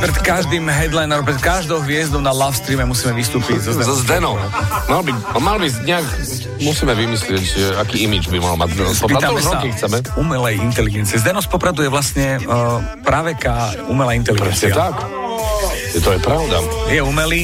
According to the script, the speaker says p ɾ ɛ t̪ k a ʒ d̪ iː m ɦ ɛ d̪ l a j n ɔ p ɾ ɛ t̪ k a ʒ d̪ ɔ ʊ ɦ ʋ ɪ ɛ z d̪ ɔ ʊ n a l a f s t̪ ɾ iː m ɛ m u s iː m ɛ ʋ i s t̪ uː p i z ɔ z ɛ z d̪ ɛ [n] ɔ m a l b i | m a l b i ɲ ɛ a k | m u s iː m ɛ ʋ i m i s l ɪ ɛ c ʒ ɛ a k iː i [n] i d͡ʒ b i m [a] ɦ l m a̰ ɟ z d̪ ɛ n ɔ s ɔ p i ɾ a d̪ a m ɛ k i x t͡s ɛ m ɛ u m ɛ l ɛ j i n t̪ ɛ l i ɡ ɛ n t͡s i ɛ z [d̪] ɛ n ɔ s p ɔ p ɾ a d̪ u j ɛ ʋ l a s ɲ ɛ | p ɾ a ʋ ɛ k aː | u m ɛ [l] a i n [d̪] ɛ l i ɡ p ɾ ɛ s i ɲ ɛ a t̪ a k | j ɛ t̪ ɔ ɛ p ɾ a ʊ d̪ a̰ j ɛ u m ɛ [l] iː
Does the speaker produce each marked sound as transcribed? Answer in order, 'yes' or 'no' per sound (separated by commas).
yes, no, yes, yes, yes, no, yes